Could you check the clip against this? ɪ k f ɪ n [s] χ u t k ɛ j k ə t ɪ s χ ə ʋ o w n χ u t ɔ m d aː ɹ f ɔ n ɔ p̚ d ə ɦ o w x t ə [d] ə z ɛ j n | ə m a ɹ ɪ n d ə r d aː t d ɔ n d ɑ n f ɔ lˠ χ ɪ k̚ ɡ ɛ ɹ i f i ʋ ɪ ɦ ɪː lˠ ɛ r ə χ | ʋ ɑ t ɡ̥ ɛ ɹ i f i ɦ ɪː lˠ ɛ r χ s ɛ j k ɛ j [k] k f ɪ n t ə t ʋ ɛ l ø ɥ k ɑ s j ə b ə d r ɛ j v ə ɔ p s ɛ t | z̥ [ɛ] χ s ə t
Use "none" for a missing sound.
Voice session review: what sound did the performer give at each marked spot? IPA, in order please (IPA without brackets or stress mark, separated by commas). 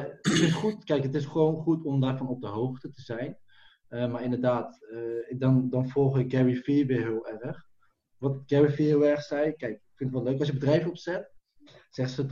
t, t, k, ɛ